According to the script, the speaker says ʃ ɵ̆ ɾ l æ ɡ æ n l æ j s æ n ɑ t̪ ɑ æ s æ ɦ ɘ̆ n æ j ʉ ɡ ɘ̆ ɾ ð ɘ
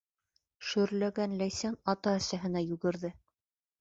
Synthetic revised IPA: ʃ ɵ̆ ɾ l æ ɡ æ n l æ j s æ n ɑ t̪ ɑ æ s æ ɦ ɘ̆ n æ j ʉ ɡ ɘ̆ ɾ ð ɘ